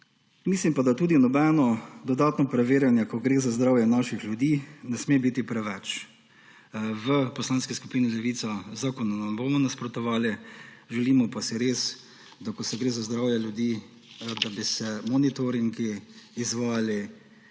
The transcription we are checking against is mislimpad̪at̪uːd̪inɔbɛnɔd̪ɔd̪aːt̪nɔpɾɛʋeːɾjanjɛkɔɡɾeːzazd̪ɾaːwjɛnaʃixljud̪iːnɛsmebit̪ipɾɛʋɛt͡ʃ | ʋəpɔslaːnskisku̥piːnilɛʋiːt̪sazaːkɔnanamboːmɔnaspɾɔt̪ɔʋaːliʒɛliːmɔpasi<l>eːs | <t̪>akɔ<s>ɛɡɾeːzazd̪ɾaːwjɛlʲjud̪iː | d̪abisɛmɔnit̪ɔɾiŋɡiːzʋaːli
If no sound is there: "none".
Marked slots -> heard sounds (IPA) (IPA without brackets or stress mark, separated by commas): ɾ, d̪, s